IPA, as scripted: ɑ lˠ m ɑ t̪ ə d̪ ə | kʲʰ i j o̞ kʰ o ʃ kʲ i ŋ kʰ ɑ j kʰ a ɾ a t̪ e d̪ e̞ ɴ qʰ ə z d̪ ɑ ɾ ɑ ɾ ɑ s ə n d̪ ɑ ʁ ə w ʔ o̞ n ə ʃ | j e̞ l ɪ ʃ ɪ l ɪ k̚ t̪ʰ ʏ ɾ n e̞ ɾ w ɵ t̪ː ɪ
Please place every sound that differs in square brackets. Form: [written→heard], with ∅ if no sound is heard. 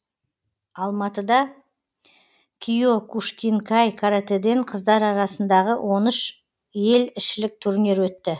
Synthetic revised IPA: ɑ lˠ m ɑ t̪ ə d̪ [ə→ɑ] | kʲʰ i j o̞ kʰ [o→u] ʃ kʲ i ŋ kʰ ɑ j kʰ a ɾ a t̪ e d̪ e̞ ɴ qʰ ə z d̪ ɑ ɾ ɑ ɾ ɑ s ə n d̪ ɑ ʁ ə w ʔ o̞ n ə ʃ | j e̞ l ɪ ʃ ɪ l ɪ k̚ t̪ʰ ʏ ɾ n e̞ ɾ w ɵ t̪ː ɪ